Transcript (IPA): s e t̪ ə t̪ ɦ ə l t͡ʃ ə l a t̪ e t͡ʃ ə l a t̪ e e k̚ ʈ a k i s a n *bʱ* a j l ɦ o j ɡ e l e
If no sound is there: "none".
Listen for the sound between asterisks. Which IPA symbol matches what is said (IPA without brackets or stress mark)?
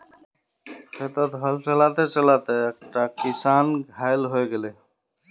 ɡʱ